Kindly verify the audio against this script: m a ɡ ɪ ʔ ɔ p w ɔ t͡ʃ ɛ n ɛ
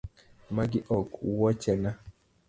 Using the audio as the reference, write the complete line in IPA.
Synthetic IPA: m a ɡ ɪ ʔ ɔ k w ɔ t͡ʃ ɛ n a